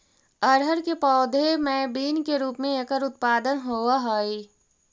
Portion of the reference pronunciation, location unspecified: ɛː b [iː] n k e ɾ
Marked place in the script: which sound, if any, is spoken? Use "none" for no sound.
iː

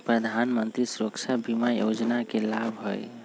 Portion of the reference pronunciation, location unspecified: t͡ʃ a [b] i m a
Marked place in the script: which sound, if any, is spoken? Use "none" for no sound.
b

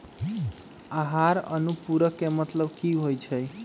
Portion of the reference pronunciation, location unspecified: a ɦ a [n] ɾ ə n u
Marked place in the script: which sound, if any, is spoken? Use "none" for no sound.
none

